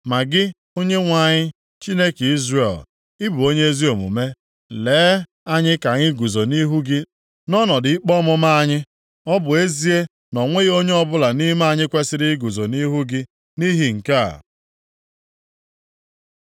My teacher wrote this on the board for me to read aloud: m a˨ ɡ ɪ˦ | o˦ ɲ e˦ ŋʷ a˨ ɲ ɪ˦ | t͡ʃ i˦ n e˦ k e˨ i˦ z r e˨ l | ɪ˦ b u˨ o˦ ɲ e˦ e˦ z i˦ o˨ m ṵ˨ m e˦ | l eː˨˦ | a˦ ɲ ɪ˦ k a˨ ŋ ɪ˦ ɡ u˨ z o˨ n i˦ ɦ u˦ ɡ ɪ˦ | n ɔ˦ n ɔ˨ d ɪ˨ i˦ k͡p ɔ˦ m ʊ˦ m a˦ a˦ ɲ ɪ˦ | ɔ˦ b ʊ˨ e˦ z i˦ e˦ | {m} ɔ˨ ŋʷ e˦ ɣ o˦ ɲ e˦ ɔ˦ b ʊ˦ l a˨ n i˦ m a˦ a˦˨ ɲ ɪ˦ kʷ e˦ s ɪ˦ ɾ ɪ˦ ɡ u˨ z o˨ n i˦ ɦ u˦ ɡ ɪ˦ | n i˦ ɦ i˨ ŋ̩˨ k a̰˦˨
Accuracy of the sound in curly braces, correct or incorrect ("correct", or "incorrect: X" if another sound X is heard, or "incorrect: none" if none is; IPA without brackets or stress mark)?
incorrect: n